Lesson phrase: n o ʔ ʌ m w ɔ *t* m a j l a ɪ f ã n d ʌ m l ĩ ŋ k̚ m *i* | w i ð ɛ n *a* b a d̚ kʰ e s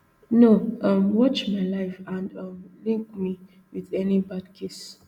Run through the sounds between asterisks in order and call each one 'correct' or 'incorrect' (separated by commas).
incorrect, correct, incorrect